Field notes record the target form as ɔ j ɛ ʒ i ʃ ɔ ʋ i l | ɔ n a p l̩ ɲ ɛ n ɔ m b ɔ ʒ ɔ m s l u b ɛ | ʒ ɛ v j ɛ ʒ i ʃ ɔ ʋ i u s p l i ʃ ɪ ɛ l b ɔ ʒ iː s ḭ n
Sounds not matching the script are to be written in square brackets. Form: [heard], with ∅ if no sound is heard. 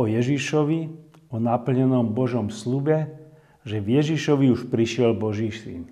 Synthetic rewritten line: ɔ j ɛ ʒ i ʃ ɔ ʋ i [∅] | ɔ n a p l̩ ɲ ɛ n ɔ m b ɔ ʒ ɔ m s l u b ɛ | ʒ ɛ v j ɛ ʒ i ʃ ɔ ʋ i u [ʃ] p [ɾ] i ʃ ɪ ɛ l b ɔ ʒ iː s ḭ n